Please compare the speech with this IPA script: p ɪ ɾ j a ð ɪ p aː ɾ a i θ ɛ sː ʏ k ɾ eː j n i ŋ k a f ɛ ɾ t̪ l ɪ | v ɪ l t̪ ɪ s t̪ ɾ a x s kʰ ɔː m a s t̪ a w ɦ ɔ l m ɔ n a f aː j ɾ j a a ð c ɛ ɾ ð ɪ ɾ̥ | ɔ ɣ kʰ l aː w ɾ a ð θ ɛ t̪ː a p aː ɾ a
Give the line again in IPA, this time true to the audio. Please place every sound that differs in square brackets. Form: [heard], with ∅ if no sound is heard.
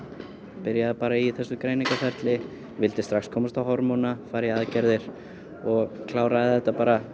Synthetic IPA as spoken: p ɪ ɾ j a ð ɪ p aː ɾ a i θ ɛ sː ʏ k ɾ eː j n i ŋ k a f ɛ ɾ t̪ l ɪ | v ɪ l t̪ ɪ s t̪ ɾ a x s kʰ ɔː m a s t̪ a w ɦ ɔ [ɾ] m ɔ n a f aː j ɾ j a a ð c ɛ ɾ ð ɪ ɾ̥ | ɔ ɣ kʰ l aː w ɾ a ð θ ɛ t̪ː a p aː ɾ a